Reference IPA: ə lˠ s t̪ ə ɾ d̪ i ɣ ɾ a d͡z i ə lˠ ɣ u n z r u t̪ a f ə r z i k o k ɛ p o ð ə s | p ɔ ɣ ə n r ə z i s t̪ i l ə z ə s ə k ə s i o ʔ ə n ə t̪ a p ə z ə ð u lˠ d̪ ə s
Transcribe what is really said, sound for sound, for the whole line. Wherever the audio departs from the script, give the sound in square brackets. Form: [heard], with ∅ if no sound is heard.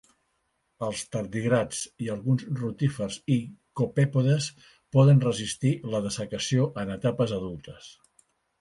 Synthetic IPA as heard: ə lˠ s t̪ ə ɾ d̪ i ɣ ɾ a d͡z i ə lˠ ɣ u n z r u t̪ [i] f ə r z i k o [p] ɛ p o ð ə s | p ɔ [ð] ə n r ə z i s t̪ i l ə [ð] ə s ə k ə s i o ʔ ə n ə t̪ a p ə z ə ð u lˠ [t̪] ə s